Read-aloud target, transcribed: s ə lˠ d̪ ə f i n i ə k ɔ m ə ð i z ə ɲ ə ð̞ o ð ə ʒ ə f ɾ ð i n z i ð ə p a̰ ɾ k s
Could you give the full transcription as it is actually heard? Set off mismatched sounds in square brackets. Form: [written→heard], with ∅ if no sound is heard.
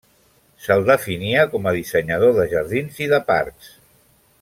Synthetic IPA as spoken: s ə lˠ d̪ ə f i n i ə k ɔ m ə ð i [z→s] ə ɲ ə ð̞ o ð ə ʒ ə [f→∅] ɾ ð i n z i ð ə p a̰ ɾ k s